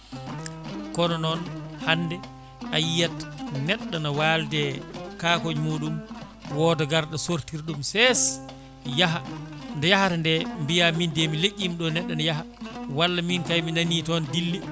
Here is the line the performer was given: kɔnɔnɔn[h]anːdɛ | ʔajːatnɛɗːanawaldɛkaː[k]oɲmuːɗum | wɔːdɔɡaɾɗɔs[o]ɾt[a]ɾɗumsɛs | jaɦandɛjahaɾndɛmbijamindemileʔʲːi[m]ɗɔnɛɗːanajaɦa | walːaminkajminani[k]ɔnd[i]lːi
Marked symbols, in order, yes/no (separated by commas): yes, yes, yes, no, yes, no, yes